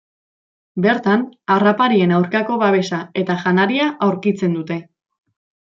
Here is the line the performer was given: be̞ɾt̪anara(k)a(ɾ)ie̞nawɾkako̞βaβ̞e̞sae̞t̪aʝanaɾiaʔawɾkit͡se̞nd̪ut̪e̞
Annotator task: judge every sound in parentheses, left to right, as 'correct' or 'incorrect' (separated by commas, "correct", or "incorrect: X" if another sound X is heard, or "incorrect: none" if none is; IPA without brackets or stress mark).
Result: incorrect: p, correct